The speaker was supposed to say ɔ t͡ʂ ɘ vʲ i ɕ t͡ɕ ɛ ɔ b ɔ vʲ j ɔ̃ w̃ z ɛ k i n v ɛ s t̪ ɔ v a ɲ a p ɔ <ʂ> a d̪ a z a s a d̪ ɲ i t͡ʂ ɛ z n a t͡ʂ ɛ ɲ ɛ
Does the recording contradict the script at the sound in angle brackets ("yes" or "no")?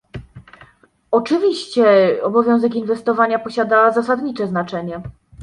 yes